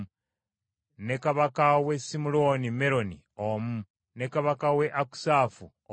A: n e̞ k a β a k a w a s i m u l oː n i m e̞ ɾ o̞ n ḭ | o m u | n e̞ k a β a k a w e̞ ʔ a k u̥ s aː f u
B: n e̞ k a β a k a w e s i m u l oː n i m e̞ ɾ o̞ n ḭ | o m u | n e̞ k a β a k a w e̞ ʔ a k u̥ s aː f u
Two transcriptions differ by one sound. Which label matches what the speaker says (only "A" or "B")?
B